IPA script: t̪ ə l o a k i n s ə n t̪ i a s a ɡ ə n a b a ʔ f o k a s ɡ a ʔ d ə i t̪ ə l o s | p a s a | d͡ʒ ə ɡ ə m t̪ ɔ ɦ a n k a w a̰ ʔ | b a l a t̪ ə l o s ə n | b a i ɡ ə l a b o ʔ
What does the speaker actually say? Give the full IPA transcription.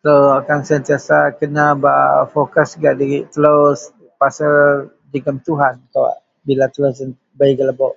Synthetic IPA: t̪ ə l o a k a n s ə n t̪ i a s a k ə n a b a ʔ f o k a s ɡ a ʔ d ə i t̪ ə l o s | p a s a | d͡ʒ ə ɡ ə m t̪ u ɦ a n k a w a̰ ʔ | b i l a t̪ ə l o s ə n | b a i ɡ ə l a b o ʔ